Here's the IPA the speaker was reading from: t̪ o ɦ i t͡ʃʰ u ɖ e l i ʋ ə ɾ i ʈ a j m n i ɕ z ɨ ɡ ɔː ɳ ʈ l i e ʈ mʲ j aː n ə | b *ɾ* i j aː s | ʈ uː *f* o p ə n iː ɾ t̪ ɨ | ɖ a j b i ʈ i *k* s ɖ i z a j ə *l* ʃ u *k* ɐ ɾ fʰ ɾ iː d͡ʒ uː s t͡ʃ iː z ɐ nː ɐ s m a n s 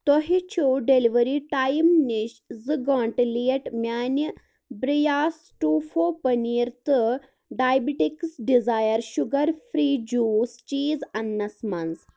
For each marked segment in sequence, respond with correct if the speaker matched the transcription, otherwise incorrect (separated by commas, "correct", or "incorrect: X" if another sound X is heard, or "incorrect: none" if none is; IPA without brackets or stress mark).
correct, correct, correct, incorrect: ɾ, incorrect: ɡ